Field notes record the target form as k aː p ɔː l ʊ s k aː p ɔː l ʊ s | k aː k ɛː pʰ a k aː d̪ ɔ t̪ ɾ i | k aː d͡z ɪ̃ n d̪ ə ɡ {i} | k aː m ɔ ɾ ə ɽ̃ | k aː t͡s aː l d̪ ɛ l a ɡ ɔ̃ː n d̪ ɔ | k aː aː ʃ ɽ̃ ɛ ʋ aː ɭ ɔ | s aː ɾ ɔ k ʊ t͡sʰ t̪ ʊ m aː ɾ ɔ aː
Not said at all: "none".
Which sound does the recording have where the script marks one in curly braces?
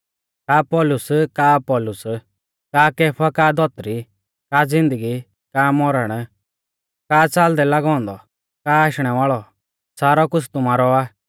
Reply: i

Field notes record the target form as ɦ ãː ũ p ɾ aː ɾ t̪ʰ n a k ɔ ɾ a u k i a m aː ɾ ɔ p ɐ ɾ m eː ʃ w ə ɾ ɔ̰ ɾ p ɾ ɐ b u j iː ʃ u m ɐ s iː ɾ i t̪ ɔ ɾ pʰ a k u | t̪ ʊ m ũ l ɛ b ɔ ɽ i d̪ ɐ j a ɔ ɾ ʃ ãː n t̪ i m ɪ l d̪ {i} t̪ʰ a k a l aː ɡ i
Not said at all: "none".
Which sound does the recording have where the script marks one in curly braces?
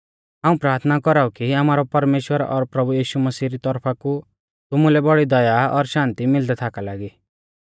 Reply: ɛ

